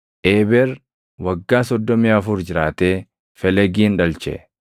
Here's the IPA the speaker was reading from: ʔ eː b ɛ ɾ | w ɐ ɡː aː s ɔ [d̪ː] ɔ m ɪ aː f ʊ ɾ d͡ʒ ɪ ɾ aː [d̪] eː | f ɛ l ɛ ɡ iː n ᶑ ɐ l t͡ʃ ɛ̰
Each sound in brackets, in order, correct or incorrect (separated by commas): correct, incorrect